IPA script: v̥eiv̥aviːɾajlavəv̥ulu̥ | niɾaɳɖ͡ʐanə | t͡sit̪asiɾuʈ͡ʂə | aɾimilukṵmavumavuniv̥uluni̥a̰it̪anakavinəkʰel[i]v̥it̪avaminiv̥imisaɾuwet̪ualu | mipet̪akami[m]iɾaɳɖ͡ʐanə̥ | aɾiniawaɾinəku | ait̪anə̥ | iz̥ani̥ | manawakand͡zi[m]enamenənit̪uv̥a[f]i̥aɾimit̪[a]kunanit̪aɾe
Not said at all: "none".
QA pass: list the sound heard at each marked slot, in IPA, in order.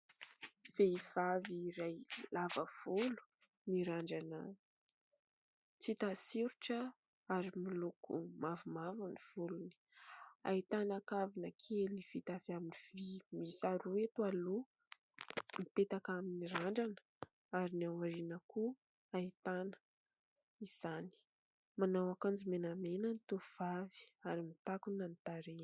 i, n, m, v, a

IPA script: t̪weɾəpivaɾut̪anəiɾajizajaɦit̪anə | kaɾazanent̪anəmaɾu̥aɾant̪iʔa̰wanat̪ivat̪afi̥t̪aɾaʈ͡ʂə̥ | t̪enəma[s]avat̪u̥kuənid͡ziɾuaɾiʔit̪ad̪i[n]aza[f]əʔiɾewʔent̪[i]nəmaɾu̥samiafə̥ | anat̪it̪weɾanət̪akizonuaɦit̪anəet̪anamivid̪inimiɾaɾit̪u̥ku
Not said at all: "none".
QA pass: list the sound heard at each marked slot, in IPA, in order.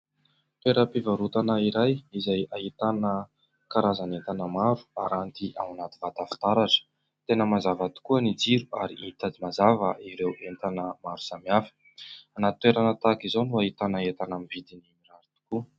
z, m, v, a

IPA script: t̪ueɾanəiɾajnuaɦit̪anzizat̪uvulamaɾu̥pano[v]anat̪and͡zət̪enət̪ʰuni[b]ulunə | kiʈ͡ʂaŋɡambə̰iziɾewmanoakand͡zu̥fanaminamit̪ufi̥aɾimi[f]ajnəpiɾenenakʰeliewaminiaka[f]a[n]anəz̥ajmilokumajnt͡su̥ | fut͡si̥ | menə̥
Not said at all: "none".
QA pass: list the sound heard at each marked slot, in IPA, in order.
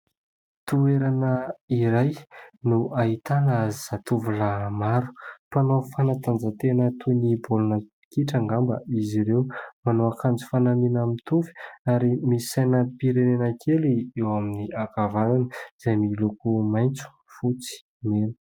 f, b, s, v, n

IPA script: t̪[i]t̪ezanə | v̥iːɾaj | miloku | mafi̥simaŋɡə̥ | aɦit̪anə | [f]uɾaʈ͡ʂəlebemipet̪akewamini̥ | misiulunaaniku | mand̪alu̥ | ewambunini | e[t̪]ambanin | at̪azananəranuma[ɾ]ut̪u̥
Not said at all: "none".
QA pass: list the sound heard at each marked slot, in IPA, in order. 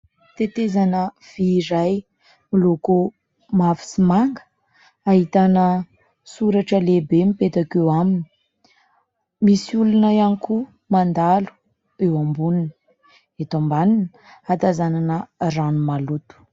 e, s, t̪, l

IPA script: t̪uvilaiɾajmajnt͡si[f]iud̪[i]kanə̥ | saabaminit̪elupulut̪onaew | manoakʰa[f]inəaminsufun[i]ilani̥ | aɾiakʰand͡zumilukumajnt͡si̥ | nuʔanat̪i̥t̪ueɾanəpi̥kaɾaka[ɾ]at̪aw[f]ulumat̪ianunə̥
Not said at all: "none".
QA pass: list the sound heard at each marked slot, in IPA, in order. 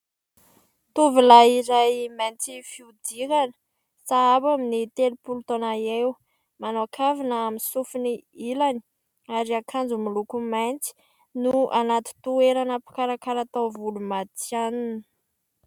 f, i, v, i, ɾ, v

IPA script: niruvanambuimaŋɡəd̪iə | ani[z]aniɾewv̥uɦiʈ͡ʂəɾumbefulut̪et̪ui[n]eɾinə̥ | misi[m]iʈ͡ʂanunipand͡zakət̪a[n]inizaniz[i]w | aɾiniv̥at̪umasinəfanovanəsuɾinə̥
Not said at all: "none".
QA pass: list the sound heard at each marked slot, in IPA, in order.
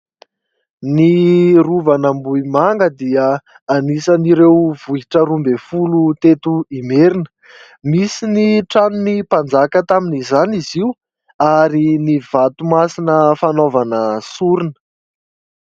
s, m, n, m, i

